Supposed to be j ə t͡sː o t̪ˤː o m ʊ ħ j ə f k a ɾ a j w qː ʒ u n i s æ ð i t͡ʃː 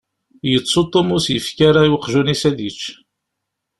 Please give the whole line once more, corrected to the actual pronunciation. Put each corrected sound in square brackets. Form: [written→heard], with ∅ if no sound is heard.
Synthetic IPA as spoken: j ə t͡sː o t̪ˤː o m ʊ [ħ→s] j ə f k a ɾ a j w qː ʒ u n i s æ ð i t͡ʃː